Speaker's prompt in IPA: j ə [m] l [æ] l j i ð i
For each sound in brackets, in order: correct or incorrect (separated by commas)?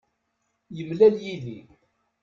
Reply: correct, correct